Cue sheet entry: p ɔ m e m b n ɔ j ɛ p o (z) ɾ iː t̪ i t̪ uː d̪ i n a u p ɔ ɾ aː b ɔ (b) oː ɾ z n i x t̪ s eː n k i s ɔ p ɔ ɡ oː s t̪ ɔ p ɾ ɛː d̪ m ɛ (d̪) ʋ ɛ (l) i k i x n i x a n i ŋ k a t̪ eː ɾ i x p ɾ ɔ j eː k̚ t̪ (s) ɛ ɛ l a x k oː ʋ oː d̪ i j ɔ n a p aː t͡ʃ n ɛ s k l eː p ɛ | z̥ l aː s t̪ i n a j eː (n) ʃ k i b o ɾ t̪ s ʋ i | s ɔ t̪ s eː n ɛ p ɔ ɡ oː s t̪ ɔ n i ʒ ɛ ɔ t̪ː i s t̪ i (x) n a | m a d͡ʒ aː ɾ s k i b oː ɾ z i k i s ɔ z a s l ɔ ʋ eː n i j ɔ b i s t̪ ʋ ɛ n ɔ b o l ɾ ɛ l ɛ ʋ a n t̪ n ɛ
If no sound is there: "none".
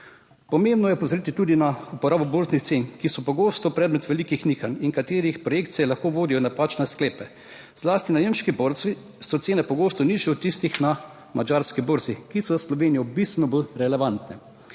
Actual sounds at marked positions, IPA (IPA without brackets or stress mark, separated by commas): z, b, t̪, l, s, m, x